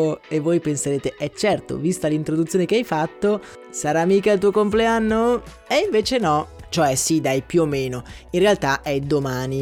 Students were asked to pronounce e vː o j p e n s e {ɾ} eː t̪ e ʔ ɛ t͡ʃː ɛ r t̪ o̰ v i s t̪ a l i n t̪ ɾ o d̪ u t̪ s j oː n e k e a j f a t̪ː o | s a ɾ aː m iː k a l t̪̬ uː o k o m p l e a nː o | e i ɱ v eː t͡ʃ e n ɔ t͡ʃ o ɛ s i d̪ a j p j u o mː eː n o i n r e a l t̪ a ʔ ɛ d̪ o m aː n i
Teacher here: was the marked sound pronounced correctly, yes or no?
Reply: yes